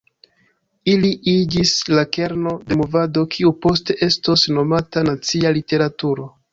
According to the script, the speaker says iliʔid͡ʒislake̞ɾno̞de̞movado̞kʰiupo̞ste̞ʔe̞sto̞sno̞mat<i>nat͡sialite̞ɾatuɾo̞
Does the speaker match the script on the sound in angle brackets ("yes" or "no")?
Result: no